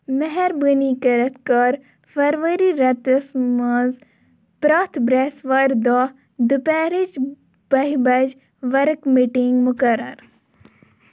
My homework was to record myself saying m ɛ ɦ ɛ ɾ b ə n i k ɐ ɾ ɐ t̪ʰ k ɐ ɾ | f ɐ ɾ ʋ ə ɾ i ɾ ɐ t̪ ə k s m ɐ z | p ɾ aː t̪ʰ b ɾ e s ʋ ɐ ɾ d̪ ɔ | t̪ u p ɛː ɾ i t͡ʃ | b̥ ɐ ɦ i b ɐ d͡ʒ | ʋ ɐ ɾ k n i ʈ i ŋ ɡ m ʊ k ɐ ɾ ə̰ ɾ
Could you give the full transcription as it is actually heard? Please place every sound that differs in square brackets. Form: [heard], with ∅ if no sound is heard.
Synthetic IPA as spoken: m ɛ ɦ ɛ ɾ b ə n i k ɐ ɾ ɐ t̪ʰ k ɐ ɾ | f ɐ ɾ ʋ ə ɾ i ɾ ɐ t̪ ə [∅] s m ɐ z | p ɾ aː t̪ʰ b ɾ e s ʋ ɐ ɾ d̪ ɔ | [d̪] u p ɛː ɾ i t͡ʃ | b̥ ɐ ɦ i b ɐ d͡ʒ | ʋ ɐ ɾ k [m] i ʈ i ŋ ɡ m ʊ k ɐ ɾ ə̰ ɾ